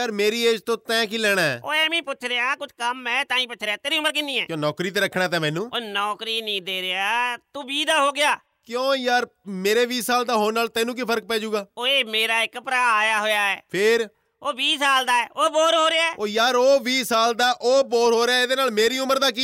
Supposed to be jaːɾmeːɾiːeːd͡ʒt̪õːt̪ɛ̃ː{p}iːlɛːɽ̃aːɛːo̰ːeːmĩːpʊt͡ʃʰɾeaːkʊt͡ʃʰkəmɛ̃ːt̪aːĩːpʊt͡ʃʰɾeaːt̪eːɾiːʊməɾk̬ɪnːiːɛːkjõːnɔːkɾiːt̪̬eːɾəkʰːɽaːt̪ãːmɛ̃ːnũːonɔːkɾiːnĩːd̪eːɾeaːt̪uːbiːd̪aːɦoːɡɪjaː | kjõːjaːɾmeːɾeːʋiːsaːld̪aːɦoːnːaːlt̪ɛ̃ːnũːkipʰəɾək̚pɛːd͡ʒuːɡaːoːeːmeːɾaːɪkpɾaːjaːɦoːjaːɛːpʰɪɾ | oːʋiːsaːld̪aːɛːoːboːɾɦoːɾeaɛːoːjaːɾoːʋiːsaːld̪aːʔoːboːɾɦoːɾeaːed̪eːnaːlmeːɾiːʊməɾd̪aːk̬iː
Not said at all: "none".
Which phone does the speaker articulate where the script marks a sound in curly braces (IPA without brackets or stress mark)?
k